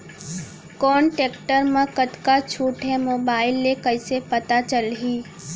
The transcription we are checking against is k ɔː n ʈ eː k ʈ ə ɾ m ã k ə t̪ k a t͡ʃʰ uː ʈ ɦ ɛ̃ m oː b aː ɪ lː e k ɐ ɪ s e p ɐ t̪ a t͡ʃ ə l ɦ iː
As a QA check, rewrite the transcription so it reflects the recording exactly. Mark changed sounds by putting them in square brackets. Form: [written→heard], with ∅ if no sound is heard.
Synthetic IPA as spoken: k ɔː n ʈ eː k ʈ ə ɾ m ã k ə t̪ k a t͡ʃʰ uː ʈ ɦ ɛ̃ m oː b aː ɪ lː e k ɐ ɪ s e p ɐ t̪ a t͡ʃ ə l ɦ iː